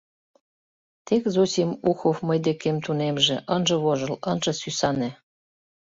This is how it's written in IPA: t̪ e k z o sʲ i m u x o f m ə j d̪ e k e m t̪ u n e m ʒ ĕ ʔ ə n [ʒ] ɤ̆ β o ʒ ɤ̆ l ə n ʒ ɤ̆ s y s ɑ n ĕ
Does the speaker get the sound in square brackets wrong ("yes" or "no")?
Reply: no